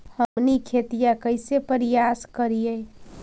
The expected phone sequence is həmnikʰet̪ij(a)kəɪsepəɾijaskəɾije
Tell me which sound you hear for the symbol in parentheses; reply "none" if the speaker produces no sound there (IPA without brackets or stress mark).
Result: a